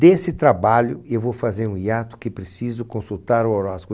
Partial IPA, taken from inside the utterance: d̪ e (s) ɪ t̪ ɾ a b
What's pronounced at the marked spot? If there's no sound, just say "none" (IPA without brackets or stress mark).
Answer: s